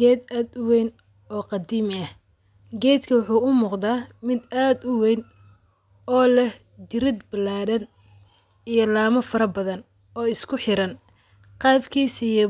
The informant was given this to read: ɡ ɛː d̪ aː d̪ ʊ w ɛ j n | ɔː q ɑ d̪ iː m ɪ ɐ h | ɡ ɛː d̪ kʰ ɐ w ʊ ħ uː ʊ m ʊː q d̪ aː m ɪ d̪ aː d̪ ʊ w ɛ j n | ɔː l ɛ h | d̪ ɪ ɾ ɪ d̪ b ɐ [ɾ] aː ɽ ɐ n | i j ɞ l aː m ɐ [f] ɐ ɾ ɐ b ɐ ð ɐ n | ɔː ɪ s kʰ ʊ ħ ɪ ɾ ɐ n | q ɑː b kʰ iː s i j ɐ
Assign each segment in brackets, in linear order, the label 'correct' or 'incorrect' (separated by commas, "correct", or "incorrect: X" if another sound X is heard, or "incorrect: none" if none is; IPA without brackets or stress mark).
incorrect: l, correct